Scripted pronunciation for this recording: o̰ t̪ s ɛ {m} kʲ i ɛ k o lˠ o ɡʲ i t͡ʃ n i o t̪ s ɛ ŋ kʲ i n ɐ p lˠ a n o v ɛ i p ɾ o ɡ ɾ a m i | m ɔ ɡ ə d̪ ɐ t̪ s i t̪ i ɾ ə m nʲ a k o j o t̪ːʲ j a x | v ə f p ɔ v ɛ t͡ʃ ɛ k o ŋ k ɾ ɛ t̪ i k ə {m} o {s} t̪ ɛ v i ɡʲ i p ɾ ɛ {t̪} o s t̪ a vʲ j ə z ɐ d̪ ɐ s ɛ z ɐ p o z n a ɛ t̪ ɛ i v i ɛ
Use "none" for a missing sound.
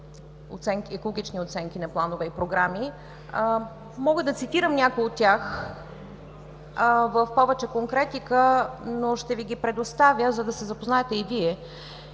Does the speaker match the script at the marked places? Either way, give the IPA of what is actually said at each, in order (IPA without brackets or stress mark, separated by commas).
ŋ, n, ʃ, d̪